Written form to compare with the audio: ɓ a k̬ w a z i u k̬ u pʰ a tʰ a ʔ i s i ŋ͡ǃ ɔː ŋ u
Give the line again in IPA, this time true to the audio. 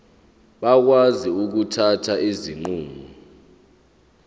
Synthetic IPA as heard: ɓ a k̬ w a z i u k̬ u tʰ a tʰ a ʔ i z i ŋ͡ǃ uː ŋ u